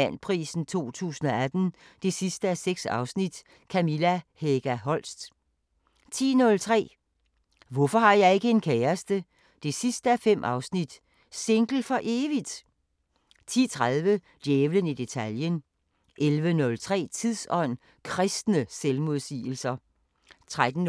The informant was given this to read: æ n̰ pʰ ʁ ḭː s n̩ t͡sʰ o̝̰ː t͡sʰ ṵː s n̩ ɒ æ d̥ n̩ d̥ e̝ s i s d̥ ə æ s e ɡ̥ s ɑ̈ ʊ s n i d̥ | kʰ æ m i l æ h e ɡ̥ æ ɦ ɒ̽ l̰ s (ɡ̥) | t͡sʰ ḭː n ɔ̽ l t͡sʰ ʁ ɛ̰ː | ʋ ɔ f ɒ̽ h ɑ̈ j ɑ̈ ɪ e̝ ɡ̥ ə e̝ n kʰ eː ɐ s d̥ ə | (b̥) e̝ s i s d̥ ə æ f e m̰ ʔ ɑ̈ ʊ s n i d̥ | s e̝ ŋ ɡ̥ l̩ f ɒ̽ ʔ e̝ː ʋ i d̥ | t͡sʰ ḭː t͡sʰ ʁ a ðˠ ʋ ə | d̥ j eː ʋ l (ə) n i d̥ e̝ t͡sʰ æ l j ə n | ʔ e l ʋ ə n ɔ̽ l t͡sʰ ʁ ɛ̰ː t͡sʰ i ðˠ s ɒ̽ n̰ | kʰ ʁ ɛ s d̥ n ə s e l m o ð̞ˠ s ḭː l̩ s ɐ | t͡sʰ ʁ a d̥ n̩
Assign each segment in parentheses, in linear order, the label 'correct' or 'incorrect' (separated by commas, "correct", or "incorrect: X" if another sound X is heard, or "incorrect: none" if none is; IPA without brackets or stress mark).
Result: incorrect: d̥, incorrect: d̥, correct